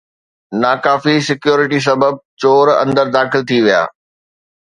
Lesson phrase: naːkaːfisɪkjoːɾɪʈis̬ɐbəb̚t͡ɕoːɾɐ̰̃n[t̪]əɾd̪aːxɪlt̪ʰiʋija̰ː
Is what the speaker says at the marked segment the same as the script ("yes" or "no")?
no